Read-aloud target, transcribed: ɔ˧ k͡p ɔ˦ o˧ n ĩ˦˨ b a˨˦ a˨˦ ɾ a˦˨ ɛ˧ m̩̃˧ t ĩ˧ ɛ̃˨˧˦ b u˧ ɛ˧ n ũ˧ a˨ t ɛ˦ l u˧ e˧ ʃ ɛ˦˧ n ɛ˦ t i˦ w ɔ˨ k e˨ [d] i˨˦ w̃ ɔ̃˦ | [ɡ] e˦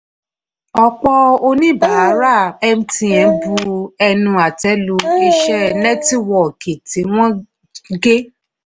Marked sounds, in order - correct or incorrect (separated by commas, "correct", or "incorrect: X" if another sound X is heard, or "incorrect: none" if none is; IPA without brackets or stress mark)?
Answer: incorrect: t, correct